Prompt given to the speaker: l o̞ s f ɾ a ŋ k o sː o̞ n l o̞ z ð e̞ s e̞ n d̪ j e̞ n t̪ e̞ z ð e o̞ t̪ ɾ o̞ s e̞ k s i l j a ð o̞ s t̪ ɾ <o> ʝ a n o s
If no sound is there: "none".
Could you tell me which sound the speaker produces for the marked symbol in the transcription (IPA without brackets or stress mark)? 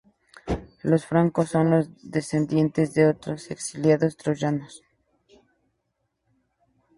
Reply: o